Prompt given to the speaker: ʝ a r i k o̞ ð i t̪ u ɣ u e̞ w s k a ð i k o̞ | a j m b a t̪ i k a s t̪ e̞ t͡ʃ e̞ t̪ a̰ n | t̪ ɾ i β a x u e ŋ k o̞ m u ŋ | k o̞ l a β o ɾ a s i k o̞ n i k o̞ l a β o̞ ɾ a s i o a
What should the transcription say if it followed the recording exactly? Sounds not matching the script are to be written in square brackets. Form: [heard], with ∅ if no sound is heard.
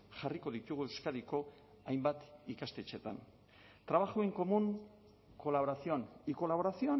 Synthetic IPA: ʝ a r i k o̞ ð i t̪ u ɣ u e̞ w s k a ð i k o̞ | a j m b a t̪ i k a s t̪ e̞ t͡ʃ e̞ t̪ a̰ n | t̪ ɾ [a] β a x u e ŋ k o̞ m u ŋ | k o̞ l a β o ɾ a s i [∅] o̞ n i k o̞ l a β o̞ ɾ a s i o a